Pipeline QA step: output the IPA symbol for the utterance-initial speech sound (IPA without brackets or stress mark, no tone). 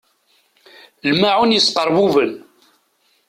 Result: l